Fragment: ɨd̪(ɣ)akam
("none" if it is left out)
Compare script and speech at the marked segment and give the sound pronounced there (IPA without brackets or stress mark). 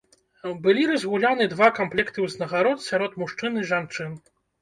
v